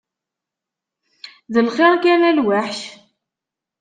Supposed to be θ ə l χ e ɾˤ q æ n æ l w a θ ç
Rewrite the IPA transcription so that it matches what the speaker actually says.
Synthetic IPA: ð ə l χ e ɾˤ k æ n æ l w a ħ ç